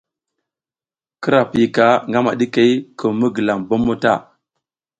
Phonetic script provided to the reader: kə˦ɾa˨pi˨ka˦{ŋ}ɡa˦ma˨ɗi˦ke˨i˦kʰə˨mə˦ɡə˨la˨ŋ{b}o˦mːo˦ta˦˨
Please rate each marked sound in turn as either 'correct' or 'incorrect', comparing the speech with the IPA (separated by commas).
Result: correct, correct